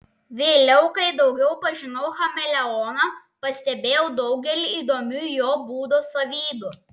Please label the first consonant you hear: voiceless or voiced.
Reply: voiced